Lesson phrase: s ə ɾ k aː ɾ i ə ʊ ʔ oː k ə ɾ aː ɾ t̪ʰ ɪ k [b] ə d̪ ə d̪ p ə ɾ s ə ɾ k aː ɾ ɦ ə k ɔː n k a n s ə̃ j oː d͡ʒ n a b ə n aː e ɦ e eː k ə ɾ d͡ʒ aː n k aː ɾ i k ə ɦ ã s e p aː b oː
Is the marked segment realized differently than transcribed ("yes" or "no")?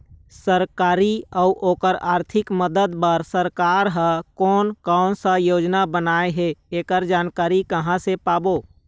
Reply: yes